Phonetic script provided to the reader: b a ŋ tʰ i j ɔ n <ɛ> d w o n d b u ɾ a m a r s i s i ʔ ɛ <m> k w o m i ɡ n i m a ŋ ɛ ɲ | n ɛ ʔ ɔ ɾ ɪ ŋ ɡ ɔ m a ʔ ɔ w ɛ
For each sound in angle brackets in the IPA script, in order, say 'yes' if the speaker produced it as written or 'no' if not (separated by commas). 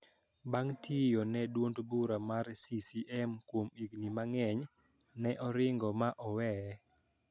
yes, yes